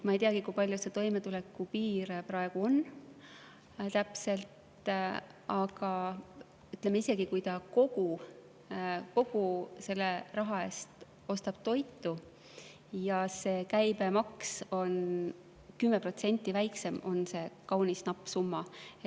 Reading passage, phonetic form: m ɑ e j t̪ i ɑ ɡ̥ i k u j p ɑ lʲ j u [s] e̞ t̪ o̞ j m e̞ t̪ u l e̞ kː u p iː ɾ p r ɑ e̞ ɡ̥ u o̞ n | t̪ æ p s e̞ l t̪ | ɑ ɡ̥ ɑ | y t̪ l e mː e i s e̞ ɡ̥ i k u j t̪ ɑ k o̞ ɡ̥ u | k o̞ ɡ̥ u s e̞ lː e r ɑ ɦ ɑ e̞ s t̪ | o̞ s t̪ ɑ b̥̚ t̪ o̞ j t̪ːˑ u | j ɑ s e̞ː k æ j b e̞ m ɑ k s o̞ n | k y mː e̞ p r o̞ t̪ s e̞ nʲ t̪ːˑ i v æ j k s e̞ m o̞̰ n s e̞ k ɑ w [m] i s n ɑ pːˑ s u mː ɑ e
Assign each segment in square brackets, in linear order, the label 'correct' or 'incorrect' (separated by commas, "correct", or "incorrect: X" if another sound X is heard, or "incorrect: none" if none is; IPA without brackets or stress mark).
correct, incorrect: n